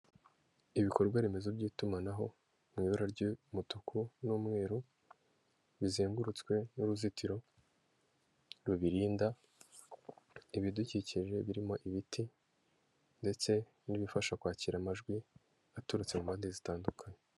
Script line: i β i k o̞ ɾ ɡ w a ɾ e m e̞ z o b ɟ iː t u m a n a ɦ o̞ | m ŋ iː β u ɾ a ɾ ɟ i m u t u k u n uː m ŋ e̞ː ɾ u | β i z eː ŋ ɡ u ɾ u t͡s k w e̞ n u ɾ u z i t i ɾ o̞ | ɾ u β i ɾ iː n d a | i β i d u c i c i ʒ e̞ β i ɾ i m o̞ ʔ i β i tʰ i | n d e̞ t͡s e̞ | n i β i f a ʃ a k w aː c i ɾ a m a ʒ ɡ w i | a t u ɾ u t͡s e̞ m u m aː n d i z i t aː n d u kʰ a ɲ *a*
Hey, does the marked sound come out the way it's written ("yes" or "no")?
no